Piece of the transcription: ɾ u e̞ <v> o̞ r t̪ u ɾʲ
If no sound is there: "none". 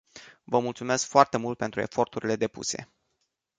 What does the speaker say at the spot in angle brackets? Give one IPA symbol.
f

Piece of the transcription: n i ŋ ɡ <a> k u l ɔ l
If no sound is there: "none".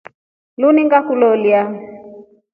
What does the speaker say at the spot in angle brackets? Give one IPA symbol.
a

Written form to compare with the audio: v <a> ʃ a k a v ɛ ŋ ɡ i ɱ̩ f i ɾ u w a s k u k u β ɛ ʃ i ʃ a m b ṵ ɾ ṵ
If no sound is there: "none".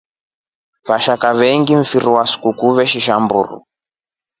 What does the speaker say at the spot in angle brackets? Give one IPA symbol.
a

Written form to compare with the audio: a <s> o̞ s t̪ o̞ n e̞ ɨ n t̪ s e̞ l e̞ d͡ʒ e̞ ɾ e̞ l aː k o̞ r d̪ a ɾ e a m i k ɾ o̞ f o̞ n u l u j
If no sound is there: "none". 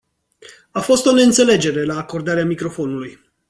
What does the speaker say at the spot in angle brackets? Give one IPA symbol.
f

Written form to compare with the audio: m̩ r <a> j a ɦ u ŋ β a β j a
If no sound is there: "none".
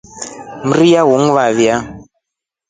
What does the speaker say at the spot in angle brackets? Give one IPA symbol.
i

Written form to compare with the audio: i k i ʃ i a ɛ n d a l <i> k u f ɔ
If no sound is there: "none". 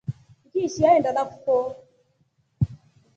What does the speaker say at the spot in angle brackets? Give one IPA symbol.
a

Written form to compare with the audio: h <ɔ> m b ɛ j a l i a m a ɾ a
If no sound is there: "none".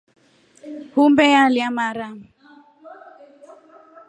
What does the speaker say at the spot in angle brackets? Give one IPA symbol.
u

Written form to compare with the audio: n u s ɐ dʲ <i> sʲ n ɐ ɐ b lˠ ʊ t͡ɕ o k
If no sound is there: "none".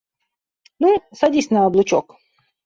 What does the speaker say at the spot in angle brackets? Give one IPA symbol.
i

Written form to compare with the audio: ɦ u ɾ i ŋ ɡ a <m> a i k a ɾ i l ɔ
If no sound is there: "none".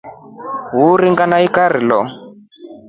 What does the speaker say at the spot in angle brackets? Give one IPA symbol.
n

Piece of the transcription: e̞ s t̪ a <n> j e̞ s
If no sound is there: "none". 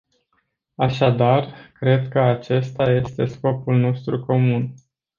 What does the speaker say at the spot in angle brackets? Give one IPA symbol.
none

